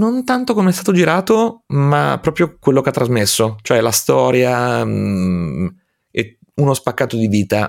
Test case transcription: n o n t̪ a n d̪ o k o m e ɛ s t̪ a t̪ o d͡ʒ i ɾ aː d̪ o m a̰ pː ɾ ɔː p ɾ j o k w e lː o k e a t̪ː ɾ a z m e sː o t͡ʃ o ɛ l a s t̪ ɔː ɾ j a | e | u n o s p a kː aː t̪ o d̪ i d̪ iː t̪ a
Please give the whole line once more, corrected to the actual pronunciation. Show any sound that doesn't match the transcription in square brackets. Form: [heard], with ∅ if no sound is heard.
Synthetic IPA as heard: n o n t̪ a n [t̪] o k o m e ɛ s t̪ a t̪ o d͡ʒ i ɾ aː [t̪] o m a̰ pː ɾ ɔː p ɾ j o k w e lː o k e a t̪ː ɾ a z m e sː o t͡ʃ o ɛ l a s t̪ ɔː ɾ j a | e | u n o s p a kː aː t̪ o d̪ i d̪ iː t̪ a